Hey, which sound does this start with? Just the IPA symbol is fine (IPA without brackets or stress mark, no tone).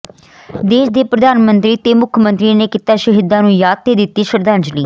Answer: d̪